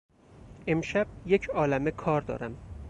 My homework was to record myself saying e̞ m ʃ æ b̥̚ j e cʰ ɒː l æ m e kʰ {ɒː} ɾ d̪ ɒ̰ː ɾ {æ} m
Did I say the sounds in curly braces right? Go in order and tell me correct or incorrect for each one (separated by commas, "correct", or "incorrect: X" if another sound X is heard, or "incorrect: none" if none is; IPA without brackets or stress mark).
correct, correct